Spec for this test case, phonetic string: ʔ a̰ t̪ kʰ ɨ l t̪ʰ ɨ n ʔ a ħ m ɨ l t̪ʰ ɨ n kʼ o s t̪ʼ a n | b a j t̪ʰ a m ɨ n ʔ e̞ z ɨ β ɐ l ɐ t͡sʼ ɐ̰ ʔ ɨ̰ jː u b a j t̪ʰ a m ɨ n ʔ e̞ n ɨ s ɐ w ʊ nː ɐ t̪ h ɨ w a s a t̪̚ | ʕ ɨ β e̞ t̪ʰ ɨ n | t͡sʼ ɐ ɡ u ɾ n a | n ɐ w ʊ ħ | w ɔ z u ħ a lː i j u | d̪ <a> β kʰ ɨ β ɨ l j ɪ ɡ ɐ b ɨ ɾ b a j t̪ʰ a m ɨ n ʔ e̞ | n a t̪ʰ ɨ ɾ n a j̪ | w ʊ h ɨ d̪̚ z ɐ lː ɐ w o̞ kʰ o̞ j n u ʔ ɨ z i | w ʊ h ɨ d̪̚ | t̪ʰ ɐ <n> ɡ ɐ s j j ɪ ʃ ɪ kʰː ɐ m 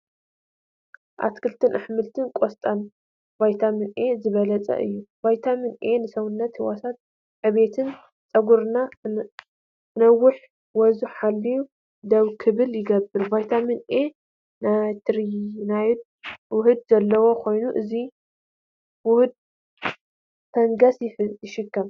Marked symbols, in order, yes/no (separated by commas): no, no